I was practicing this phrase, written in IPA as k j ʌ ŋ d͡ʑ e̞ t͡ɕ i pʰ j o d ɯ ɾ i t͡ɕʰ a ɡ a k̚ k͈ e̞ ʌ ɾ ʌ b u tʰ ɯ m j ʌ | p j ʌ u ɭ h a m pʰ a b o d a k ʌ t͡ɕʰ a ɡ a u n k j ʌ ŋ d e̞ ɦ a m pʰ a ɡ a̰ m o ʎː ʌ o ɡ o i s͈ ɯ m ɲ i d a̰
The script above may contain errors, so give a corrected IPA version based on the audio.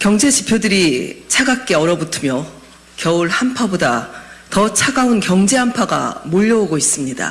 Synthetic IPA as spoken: k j ʌ ŋ d͡ʑ e̞ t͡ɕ i pʰ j o d ɯ ɾ i t͡ɕʰ a ɡ a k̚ k͈ e̞ ʌ ɾ ʌ b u tʰ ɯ m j ʌ | k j ʌ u ɭ h a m pʰ a b o d a t ʌ t͡ɕʰ a ɡ a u n k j ʌ ŋ d͡ʑ e̞ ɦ a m pʰ a ɡ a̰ m o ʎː ʌ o ɡ o i s͈ ɯ m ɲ i d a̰

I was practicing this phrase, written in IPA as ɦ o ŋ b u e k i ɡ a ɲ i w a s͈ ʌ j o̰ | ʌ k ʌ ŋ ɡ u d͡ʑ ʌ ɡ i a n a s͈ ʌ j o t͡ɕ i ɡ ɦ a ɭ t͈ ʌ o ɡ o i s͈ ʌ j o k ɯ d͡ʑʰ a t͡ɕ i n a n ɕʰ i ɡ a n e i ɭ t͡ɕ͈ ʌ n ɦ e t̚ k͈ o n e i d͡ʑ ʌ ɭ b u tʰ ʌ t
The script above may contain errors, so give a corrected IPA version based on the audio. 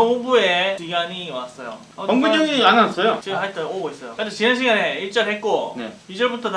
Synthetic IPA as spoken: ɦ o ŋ b u e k i ɡ a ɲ i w a s͈ ʌ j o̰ | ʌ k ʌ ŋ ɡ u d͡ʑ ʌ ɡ i a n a s͈ ʌ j o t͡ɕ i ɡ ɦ a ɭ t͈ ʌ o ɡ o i s͈ ʌ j o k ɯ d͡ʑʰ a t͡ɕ i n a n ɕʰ i ɡ a n e i ɭ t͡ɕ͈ ʌ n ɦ e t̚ k͈ o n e i d͡ʑ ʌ ɭ b u tʰ ʌ t

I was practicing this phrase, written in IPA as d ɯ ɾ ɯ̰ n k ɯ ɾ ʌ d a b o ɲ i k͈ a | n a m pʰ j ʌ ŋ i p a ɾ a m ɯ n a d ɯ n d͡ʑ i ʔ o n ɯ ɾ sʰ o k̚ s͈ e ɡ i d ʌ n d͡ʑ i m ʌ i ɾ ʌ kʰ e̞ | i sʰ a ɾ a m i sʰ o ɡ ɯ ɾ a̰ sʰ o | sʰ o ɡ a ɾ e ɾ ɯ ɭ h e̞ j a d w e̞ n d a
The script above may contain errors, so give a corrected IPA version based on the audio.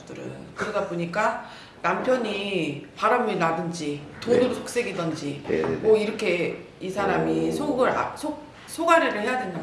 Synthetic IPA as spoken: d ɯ ɾ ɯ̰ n k ɯ ɾ ʌ d a b o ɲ i k͈ a | n a m pʰ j ʌ ɲ i p a ɾ a m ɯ n a d ɯ n d͡ʑ i t o n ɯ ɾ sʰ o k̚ s͈ e ɡ i d ʌ n d͡ʑ i m ʌ i ɾ ʌ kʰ e̞ | i sʰ a ɾ a m i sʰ o ɡ ɯ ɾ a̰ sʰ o | sʰ o ɡ a ɾ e ɾ ɯ ɭ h e̞ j a d w e̞ n d a

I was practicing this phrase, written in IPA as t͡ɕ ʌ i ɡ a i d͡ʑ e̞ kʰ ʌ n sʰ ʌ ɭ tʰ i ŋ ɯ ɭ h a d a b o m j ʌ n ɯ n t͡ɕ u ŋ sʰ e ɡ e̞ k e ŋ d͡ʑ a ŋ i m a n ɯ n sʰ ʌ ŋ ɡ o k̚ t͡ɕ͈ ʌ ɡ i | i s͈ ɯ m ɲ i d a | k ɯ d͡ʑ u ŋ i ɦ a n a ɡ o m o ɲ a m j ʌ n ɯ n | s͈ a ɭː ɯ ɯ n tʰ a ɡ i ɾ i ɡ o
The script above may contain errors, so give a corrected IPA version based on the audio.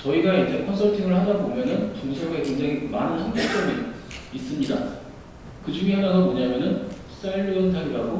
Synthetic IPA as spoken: t͡ɕ ʌ i ɡ a i d͡ʑ e̞ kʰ ʌ n sʰ ʌ ɭ tʰ i ŋ ɯ ɭ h a d a b o m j ʌ n ɯ n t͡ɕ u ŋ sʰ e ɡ e̞ k e ŋ d͡ʑ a ŋ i m a n ɯ n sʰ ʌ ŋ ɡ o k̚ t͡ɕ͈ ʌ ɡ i | i s͈ ɯ m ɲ i d a | k ɯ d͡ʑ u ŋ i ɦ a n a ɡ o m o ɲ a m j ʌ n ɯ n | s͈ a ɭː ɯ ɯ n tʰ a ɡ i ɾ a ɡ o

